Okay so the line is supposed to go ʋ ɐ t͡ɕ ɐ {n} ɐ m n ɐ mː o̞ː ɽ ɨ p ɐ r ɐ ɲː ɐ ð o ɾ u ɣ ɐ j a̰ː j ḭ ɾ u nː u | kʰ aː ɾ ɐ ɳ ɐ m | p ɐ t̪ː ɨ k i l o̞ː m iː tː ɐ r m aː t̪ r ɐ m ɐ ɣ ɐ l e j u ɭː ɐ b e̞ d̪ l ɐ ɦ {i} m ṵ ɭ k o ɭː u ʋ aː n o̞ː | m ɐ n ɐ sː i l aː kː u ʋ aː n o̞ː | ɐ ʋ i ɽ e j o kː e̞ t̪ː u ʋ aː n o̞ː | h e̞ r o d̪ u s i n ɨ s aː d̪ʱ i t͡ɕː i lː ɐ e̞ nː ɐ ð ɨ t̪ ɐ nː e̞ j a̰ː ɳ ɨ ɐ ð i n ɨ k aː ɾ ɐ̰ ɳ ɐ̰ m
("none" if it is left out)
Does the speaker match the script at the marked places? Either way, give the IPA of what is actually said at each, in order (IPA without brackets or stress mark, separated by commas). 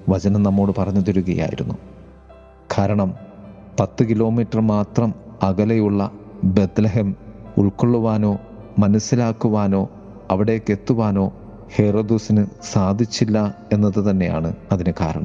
n, e